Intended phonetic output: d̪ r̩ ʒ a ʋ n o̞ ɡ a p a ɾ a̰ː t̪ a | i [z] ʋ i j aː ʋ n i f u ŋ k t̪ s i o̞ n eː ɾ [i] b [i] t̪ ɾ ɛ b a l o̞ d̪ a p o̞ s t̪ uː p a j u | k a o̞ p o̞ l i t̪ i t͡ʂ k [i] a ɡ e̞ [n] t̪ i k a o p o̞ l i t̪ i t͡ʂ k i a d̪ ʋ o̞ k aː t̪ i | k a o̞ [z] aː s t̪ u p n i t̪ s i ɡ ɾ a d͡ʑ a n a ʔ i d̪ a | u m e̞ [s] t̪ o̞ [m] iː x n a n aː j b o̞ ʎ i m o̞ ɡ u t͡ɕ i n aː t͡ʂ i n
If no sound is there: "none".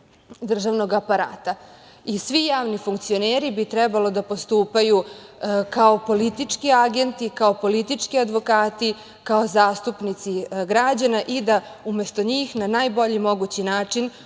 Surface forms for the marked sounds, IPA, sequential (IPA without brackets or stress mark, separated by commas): s, i, i, i, n, z, s, ɲ